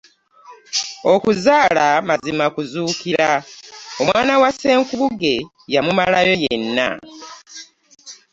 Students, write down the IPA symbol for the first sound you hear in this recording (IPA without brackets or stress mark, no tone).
o̞